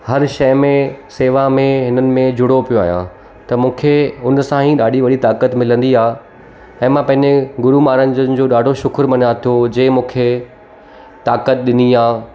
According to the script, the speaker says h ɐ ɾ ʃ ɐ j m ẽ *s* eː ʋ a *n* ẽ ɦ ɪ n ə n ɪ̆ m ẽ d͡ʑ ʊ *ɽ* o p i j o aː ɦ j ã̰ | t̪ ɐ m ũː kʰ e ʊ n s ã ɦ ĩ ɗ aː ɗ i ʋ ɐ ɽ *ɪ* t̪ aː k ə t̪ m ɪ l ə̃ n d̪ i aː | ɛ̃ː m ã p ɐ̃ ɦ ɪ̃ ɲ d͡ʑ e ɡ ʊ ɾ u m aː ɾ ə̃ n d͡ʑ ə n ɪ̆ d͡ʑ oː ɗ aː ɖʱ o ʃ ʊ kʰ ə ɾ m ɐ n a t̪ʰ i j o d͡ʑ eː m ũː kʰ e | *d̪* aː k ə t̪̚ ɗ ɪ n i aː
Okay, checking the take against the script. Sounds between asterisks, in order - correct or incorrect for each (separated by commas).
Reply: correct, incorrect, correct, incorrect, incorrect